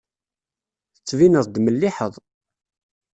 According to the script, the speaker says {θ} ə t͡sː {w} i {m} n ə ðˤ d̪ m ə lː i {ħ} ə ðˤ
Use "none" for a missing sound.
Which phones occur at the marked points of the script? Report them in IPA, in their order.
θ, v, none, ħ

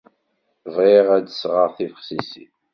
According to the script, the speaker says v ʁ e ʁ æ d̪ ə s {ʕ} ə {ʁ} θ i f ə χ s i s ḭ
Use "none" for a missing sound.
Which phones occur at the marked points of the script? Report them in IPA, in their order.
ʁ, ʁ

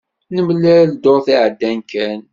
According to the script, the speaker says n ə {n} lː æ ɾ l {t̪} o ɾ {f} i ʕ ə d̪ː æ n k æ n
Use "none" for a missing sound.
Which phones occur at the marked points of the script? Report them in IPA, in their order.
m, d̪, θ

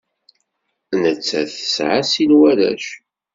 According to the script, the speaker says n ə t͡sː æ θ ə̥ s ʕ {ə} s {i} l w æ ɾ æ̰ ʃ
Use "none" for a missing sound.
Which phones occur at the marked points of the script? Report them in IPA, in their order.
a, i

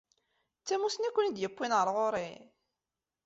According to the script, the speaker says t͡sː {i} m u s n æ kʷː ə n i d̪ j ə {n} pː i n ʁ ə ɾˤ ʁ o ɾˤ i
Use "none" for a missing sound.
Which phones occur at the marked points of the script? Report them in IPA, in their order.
æ, none

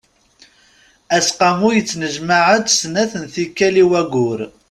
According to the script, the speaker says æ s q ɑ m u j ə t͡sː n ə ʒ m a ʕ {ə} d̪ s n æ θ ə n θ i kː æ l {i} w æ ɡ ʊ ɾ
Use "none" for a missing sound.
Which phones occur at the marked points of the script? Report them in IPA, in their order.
ə, i

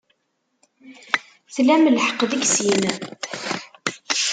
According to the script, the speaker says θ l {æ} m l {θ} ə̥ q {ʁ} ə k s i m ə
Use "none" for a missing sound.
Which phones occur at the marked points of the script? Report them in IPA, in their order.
æ, ħ, ð

